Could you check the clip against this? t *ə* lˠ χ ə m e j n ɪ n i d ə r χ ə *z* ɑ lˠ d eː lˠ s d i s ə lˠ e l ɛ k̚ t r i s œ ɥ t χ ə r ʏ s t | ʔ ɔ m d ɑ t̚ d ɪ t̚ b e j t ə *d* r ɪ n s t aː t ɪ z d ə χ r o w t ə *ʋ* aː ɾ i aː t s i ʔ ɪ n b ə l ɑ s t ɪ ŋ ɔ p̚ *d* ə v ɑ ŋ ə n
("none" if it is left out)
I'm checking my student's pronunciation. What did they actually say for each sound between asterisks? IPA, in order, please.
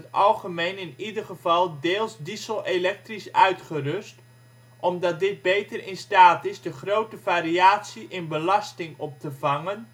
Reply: ɑ, v, none, v, t

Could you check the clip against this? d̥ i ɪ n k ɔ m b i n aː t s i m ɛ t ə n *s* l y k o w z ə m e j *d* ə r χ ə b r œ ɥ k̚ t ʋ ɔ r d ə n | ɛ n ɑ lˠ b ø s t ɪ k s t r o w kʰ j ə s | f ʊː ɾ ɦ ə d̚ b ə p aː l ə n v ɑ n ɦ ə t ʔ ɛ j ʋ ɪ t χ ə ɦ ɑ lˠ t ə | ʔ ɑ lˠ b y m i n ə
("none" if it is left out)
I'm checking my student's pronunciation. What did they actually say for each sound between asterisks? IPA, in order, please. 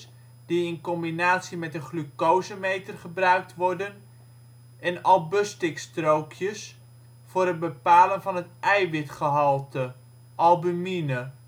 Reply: χ, t

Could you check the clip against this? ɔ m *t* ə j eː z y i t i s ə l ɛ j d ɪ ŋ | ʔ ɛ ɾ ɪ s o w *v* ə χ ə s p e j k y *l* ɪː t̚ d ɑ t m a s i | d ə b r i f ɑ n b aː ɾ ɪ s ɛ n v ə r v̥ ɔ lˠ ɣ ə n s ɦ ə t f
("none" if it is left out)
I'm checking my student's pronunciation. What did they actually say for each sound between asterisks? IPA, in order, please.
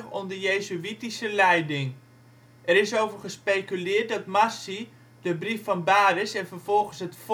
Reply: d, v, l

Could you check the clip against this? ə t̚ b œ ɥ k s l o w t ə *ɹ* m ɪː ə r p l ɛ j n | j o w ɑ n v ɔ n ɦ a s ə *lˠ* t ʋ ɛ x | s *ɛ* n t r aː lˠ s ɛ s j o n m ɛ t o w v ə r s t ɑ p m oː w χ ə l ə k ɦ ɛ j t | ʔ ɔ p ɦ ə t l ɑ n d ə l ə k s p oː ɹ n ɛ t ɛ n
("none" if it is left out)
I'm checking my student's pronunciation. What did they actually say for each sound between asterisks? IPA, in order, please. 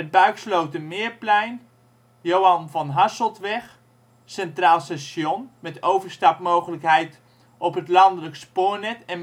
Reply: none, lˠ, ɛ

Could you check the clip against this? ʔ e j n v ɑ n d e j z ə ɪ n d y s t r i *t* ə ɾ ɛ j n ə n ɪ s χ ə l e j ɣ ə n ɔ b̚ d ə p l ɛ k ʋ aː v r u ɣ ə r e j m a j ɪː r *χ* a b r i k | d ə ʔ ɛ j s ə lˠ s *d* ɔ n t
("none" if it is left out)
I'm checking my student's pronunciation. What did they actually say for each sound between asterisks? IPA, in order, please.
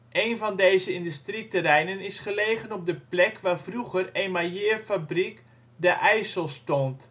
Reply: t, f, t

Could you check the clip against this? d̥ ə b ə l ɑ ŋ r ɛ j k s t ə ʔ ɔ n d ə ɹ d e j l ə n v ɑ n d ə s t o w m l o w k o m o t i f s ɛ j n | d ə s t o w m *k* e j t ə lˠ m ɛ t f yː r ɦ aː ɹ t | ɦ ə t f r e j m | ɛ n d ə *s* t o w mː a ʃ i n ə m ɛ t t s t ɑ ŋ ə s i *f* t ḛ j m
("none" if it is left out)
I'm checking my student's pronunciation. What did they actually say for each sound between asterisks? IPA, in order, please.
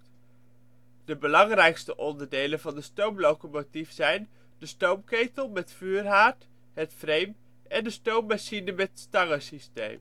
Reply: k, s, s

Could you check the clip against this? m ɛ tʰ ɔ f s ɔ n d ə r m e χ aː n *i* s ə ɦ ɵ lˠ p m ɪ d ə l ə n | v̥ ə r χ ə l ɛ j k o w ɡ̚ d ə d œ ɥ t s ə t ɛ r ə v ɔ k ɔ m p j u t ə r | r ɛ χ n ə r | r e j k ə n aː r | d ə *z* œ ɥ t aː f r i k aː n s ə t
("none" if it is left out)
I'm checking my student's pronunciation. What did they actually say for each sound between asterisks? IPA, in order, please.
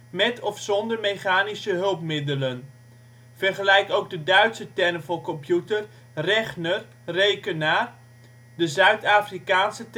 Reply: i, z

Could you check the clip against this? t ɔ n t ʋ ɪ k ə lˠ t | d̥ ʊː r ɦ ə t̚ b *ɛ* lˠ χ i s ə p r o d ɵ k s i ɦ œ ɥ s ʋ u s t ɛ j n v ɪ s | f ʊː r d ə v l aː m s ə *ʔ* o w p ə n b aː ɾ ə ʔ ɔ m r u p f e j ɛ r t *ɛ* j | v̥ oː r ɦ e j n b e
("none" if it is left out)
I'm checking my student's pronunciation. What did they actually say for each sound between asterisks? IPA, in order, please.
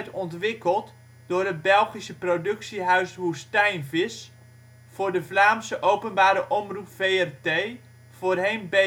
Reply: ɛ, ʔ, e

